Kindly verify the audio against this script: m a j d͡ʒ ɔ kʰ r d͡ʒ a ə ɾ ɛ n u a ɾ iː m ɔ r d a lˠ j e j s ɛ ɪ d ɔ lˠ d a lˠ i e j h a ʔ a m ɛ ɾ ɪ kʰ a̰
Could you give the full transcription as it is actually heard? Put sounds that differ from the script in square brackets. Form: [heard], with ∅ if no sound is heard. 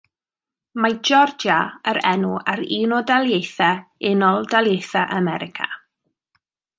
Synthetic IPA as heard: m a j d͡ʒ ɔ [∅] r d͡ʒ a ə ɾ ɛ n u a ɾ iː [n] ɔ [∅] d a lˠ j e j [θ] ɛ ɪ [n] ɔ lˠ d a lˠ [j] e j [θ] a ʔ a m ɛ ɾ ɪ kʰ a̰